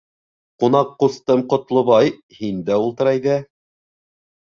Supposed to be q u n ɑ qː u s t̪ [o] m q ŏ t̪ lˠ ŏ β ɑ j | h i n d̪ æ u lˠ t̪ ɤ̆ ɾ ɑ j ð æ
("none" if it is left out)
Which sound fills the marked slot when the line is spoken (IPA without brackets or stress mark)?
ɤ